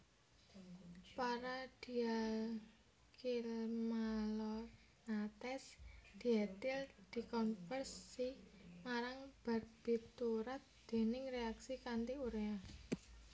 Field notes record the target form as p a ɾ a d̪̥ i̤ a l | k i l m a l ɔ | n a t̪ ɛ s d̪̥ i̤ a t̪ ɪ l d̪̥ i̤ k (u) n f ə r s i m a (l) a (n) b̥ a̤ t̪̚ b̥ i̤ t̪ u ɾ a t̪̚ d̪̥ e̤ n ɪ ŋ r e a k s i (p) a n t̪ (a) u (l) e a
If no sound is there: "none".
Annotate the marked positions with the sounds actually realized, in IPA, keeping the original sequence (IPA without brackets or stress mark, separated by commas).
ɔ, ɾ, ŋ, k, i, ɾ